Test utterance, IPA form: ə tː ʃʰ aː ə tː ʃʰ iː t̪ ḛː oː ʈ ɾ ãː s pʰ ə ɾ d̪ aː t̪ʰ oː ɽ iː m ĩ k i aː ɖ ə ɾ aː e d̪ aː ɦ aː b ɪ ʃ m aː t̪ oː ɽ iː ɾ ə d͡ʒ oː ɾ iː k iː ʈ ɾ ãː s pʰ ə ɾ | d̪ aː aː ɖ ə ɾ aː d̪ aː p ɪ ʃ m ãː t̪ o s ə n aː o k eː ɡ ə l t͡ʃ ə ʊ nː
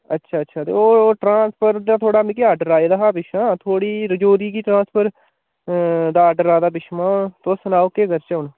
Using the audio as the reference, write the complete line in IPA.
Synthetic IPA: ə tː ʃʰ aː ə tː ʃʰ aː t̪ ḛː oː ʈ ɾ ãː s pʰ ə ɾ d̪ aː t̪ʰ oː ɽ aː m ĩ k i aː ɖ ə ɾ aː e d̪ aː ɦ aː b ɪ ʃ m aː t̪ʰ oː ɽ iː ɾ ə d͡ʒ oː ɾ iː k iː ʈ ɾ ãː s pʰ ə ɾ | d̪ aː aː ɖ ə ɾ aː d̪ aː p ɪ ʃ m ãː t̪ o s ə n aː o k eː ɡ ə ɾ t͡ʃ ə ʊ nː